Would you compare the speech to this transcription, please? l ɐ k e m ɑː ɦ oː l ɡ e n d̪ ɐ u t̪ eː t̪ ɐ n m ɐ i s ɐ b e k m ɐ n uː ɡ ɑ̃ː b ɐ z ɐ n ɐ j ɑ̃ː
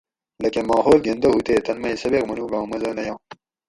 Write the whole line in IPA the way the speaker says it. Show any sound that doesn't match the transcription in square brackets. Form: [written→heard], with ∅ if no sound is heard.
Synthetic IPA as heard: l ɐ k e m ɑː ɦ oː l ɡ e n d̪ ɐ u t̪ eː t̪ ɐ n m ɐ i s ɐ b e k m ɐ n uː ɡ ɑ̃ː [b→m] ɐ z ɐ n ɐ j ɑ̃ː

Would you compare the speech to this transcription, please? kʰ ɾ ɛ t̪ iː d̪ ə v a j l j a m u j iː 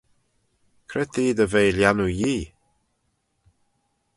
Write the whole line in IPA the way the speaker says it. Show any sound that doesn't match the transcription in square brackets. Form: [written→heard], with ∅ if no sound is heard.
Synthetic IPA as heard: kʰ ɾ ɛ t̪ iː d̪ ə v [a→e] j l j a [m→n] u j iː

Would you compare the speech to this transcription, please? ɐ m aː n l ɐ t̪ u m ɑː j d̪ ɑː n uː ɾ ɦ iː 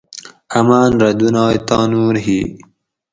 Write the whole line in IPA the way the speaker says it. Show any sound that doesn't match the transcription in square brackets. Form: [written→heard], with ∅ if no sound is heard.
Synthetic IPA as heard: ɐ m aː n [l→ɾ] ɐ [t̪→d̪] u [m→n] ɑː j [d̪→t̪] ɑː n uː ɾ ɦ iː

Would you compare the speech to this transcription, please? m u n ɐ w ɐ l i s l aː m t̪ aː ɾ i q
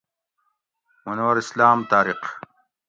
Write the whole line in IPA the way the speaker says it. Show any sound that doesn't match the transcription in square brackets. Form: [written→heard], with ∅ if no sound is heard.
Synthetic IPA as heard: m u n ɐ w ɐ [l→ɾ] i s l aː m t̪ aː ɾ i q

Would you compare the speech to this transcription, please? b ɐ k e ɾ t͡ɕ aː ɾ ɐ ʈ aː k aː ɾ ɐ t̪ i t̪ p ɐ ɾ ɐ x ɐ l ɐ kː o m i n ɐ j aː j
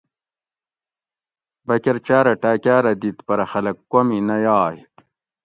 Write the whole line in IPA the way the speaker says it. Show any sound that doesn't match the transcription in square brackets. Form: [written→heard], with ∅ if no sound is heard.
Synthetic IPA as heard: b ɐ k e ɾ t͡ɕ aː ɾ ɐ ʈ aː k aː ɾ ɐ [t̪→d̪] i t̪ p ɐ ɾ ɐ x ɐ l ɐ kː o m i n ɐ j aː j

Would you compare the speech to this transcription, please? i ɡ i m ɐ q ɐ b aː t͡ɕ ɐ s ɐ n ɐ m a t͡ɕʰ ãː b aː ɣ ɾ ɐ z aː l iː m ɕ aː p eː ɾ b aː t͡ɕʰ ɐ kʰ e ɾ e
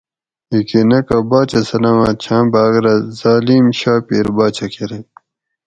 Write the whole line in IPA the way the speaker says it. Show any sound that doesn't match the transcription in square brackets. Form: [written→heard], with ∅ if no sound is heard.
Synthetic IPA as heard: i [ɡ→k] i [m→n] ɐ [q→k] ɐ b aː t͡ɕ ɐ s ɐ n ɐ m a t͡ɕʰ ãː b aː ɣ ɾ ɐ z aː l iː m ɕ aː p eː ɾ b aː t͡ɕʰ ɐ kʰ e ɾ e

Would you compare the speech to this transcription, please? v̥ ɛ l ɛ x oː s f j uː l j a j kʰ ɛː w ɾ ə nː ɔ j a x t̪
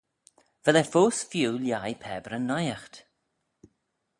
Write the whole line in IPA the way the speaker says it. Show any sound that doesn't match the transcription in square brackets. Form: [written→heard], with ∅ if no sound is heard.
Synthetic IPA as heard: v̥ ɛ l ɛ [x→f] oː s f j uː l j a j [kʰ→pʰ] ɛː [w→b] ɾ ə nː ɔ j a x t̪

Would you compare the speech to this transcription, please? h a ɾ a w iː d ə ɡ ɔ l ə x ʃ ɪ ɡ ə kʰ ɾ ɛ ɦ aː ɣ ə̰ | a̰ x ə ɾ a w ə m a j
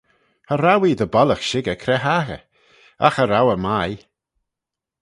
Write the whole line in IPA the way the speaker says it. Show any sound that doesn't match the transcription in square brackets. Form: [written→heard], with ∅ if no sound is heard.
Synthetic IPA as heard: h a ɾ a w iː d ə [ɡ→b] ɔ l ə x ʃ ɪ ɡ ə kʰ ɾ ɛ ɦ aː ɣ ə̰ | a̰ x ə ɾ a w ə m a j

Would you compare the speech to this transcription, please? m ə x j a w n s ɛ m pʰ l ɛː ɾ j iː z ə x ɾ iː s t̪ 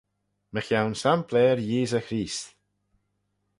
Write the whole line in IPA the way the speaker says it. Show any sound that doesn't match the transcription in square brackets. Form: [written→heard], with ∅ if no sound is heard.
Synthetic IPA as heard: m ə x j a w n s [ɛ→a] m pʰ l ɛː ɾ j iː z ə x ɾ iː s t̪

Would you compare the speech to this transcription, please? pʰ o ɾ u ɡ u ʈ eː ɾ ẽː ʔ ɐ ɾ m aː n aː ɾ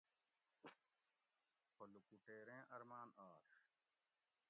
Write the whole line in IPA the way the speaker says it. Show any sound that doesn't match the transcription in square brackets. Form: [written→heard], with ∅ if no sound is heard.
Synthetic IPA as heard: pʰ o [ɾ→l] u [ɡ→k] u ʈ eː ɾ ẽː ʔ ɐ ɾ m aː n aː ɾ

